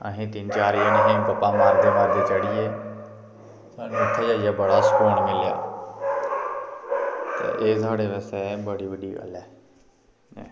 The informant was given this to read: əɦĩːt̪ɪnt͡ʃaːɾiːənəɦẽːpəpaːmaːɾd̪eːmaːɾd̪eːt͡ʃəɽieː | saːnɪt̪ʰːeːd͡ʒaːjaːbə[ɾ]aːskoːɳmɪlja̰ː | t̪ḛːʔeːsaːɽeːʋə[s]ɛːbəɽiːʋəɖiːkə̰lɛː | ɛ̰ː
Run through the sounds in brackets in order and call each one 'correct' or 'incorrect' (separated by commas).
incorrect, correct